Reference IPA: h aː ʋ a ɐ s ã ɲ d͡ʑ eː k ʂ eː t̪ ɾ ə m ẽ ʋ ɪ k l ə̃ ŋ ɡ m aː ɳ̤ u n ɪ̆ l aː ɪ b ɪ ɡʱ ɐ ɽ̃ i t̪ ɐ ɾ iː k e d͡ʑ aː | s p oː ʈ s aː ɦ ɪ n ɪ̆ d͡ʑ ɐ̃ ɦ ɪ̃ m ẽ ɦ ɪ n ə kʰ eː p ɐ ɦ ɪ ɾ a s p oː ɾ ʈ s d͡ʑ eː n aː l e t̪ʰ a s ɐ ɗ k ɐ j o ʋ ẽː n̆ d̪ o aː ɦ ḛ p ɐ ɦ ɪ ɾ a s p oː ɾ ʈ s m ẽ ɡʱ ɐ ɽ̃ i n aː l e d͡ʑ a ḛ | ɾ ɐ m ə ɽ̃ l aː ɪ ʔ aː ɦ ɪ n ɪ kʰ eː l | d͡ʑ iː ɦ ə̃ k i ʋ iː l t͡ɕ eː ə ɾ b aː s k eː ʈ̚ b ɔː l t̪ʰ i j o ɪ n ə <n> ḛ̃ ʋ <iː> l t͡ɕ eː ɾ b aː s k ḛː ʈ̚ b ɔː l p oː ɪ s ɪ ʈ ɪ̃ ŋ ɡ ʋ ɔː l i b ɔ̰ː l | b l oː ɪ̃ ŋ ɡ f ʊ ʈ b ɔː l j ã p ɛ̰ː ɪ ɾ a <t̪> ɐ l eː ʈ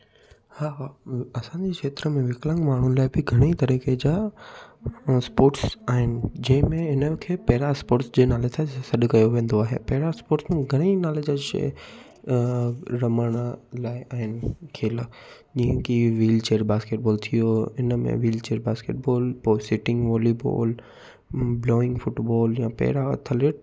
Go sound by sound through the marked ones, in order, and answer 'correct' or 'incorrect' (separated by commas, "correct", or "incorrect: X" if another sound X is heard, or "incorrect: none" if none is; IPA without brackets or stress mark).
incorrect: m, correct, incorrect: t̪ʰ